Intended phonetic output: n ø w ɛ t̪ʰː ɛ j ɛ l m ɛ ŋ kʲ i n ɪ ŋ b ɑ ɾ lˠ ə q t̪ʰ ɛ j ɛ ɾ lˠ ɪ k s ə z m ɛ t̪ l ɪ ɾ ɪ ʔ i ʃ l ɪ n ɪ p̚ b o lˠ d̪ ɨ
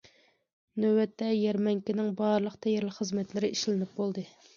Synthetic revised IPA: n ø w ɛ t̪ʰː ɛ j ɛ ɾ m ɛ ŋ kʲ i n ɪ ŋ b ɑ ɾ lˠ ə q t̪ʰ ɛ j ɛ ɾ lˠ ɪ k χ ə z m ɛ t̪ l ɪ ɾ ɪ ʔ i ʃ l ɪ n ɪ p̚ b o lˠ d̪ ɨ